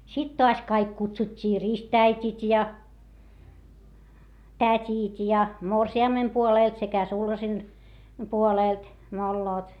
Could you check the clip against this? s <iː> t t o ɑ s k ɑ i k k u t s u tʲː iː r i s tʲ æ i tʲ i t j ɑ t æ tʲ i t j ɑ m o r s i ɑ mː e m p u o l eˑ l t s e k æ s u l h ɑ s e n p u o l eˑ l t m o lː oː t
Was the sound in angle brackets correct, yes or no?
no